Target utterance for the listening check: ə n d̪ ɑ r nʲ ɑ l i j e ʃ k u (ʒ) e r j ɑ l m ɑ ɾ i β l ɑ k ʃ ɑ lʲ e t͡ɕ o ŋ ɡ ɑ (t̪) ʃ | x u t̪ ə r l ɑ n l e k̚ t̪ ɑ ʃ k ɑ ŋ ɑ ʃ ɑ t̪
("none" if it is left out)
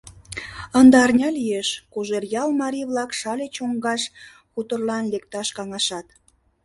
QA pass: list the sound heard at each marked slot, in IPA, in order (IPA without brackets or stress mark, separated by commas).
ʒ, none